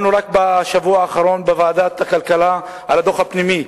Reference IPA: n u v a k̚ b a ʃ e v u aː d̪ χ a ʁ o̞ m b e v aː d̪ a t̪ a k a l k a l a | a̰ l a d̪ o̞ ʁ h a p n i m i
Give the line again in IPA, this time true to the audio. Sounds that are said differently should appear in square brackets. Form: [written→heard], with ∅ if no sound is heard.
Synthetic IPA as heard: n u [v→ʁ] a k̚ b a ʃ [e→a] v u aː [d̪→∅] χ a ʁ o̞ [m→n] b e v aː d̪ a t̪ a k a l k a l a | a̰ l a d̪ o̞ [ʁ→χ] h a p n i m i